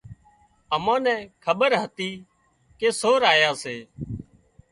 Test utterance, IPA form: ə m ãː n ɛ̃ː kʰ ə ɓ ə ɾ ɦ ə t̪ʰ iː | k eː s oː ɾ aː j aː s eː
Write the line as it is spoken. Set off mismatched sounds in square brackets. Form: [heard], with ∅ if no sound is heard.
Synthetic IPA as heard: ə m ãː n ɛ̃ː kʰ ə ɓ ə ɾ ɦ ə [t̪] iː | k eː s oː ɾ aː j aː s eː